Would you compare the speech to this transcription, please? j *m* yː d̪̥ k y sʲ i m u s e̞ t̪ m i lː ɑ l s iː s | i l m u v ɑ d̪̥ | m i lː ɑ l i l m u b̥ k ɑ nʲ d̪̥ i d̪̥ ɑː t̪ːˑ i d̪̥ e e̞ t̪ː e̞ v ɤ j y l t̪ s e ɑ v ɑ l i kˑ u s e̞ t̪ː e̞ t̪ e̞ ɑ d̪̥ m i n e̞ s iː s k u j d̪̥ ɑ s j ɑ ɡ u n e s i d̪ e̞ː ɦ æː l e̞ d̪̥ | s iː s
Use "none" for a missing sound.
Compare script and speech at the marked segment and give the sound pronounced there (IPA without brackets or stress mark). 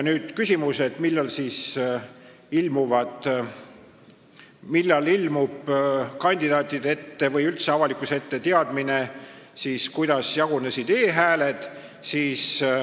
n